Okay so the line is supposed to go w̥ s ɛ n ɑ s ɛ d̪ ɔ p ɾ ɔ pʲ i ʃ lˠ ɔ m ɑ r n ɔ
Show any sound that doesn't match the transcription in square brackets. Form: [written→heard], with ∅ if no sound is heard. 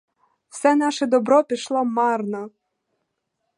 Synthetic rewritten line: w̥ s ɛ n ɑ [s→ʃ] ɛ d̪ ɔ [p→b] ɾ ɔ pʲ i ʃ lˠ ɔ m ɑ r n ɔ